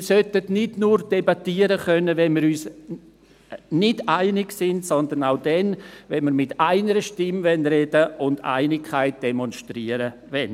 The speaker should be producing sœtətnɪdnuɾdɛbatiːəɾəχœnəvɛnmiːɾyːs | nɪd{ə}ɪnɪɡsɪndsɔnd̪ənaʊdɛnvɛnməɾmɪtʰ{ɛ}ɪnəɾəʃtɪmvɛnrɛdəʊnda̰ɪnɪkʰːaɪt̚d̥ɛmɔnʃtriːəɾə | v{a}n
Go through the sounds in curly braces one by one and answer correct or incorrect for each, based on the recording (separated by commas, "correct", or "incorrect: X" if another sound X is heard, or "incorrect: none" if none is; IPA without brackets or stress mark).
incorrect: a, incorrect: a, incorrect: ɛ